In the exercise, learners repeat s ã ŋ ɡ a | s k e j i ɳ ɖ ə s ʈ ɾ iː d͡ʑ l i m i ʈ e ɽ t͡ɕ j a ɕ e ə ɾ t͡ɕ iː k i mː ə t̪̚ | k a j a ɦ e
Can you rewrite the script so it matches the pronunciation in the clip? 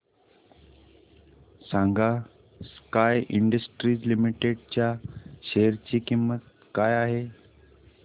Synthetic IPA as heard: s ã ŋ ɡ a | s k a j i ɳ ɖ ə s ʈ ɾ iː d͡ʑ l i m i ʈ e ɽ t͡ɕ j a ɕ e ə ɾ t͡ɕ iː k i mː ə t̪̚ | k a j a ɦ e